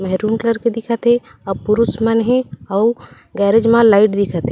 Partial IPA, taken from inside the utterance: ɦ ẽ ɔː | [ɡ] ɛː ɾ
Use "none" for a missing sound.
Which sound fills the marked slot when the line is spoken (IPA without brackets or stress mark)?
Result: ɡ